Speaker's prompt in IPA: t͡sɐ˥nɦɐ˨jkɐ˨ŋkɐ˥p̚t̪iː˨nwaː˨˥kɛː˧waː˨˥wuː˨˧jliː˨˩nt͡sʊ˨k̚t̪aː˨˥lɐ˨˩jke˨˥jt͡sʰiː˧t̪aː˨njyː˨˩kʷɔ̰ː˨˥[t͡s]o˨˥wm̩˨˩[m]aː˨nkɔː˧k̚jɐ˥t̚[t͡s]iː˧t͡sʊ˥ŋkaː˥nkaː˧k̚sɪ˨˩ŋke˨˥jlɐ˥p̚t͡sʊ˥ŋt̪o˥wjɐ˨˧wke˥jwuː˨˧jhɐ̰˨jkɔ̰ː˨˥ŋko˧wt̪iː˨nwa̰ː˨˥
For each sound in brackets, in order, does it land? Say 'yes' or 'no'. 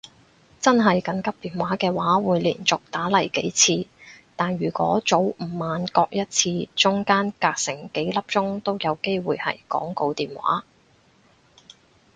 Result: yes, yes, no

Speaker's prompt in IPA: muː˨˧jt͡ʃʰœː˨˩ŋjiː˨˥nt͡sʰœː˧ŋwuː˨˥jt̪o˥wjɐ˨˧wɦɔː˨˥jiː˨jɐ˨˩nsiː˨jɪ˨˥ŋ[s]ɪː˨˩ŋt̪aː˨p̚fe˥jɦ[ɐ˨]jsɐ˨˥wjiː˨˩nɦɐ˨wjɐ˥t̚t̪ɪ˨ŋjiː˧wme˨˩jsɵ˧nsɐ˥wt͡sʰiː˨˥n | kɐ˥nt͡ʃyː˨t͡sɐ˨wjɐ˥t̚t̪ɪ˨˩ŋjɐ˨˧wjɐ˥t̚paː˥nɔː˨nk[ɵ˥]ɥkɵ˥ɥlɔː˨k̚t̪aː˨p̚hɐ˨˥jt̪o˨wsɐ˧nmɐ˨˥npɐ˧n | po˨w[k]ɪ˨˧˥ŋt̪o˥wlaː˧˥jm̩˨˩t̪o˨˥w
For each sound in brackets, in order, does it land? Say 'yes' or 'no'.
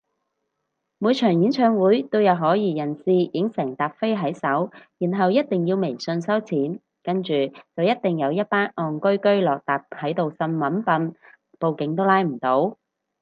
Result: yes, no, yes, yes

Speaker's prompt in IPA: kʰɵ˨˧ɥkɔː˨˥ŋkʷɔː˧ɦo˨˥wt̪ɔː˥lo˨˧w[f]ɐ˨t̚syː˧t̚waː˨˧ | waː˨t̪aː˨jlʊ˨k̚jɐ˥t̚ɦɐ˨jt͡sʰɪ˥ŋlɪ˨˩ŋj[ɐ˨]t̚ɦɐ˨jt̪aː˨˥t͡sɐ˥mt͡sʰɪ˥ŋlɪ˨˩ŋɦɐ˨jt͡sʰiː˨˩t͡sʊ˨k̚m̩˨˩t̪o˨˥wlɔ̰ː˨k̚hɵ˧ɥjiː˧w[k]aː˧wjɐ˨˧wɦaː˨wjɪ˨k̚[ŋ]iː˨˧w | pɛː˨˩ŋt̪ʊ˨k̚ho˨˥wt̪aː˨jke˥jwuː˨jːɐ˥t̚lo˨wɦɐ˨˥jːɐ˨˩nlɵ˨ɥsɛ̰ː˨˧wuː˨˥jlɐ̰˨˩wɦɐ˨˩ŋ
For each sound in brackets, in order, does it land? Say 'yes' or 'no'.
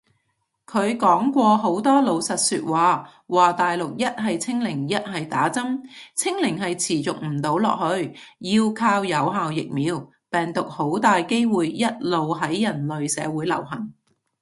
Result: no, no, no, no

